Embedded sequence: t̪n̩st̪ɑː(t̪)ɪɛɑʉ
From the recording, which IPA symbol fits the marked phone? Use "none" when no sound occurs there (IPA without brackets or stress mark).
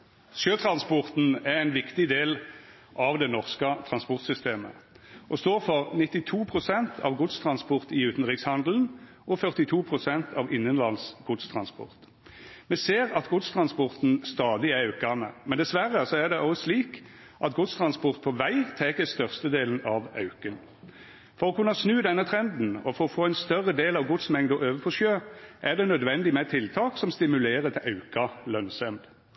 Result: d̪